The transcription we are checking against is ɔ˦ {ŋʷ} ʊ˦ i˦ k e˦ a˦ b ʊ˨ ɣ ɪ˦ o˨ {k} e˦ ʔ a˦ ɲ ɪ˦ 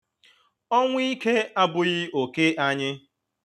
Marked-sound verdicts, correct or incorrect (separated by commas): correct, correct